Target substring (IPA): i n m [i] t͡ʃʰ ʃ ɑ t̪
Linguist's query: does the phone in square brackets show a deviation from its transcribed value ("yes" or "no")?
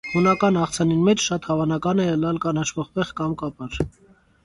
yes